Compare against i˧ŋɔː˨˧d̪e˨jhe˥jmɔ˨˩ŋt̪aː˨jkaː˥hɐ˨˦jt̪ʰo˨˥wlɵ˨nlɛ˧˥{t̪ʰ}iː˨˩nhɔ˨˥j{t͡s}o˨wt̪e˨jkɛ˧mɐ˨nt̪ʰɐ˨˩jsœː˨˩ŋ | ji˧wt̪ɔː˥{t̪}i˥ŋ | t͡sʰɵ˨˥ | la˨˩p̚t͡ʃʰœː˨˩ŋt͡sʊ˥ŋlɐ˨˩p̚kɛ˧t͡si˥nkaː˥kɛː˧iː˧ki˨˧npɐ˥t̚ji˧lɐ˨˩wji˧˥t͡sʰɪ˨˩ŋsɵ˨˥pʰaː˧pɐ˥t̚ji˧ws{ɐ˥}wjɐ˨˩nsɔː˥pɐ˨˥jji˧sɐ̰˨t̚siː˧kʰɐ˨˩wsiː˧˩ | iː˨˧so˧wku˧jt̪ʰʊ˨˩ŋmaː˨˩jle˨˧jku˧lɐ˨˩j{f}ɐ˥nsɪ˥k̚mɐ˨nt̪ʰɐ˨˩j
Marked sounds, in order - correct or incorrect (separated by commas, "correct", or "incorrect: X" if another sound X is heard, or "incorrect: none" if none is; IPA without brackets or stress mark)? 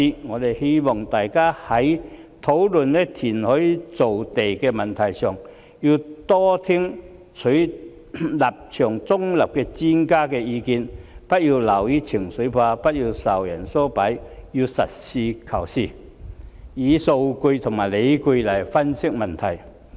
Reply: correct, correct, incorrect: t̪ʰ, incorrect: ɐ˨˩, correct